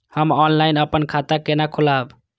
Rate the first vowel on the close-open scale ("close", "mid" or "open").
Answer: mid